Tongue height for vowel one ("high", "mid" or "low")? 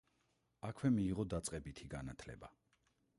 low